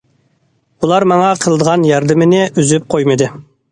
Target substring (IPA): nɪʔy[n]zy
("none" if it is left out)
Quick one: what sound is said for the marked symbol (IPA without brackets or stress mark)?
none